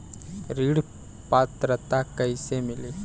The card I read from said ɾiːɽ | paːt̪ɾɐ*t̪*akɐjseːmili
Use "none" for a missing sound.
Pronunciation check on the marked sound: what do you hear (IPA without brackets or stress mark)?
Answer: t̪